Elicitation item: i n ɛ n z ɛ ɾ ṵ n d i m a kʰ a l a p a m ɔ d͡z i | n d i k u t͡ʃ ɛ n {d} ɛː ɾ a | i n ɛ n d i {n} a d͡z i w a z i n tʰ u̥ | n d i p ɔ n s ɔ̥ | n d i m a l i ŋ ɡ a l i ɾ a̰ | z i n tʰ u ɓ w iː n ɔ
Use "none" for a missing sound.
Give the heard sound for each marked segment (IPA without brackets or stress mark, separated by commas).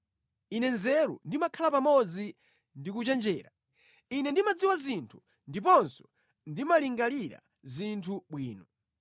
d͡ʒ, m